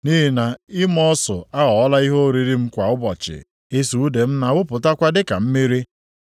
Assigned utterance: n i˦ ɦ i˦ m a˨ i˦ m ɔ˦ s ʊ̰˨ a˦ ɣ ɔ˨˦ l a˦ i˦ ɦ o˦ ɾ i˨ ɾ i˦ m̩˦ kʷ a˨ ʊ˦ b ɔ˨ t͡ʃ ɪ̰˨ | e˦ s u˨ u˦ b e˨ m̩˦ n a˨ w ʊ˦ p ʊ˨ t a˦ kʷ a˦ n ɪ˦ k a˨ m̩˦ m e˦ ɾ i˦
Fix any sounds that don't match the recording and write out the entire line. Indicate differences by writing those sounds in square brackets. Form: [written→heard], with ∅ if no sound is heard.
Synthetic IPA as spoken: n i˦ ɦ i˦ [m→n] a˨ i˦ m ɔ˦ s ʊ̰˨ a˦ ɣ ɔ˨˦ l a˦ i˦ ɦ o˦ ɾ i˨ ɾ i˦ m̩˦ kʷ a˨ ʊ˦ b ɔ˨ t͡ʃ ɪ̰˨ | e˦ s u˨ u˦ [b→d] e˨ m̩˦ n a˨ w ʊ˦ p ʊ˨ t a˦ kʷ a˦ [n→d] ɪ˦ k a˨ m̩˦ m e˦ ɾ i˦